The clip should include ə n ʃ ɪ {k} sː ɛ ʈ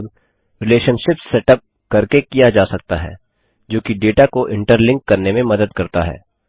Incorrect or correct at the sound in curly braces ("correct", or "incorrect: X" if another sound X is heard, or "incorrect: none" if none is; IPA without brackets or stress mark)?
incorrect: p